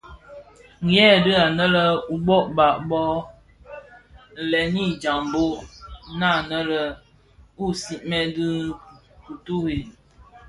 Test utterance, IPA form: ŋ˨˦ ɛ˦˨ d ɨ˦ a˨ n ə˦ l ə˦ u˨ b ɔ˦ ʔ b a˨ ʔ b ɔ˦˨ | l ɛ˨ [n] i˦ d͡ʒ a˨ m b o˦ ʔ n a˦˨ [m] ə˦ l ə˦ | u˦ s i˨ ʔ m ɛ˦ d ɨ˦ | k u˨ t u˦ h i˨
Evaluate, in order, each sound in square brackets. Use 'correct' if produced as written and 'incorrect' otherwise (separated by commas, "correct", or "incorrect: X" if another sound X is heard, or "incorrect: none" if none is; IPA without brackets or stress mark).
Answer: correct, incorrect: n